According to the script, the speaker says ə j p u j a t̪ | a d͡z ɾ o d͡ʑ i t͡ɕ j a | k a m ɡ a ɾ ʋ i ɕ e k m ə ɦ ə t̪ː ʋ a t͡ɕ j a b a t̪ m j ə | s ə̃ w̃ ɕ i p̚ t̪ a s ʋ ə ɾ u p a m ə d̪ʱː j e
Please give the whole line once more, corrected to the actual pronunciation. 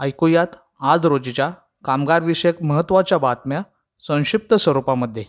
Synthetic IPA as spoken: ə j k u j a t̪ | a d͡z ɾ o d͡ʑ i t͡ɕ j a | k a m ɡ a ɾ ʋ i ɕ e k m ə ɦ ə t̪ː ʋ a t͡ɕ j a b a t̪ m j a | s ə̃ w̃ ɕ i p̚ t̪ ə s ʋ ə ɾ u p a m ə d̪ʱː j e